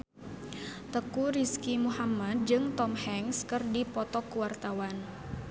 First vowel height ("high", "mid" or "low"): mid